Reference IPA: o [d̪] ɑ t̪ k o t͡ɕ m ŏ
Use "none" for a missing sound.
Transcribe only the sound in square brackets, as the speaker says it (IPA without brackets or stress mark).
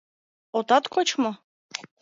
t̪